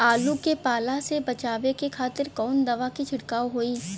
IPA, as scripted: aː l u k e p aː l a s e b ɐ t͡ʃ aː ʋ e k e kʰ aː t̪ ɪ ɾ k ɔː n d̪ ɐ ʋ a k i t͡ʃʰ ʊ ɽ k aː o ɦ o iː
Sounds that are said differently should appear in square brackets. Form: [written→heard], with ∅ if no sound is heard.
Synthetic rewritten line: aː l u k e p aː l a s e b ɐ t͡ʃ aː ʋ e k e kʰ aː t̪ ɪ ɾ k ɔː n d̪ ɐ ʋ a k i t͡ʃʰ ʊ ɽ k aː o ɦ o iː